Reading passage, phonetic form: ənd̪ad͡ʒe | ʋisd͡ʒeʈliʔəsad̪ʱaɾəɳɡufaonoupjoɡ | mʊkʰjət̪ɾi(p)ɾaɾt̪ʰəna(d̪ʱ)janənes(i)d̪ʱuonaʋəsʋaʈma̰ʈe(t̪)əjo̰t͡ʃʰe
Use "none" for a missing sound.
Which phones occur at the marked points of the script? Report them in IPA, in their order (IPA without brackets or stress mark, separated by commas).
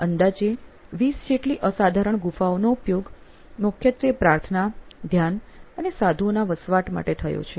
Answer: p, d̪ʱ, a, t̪ʰ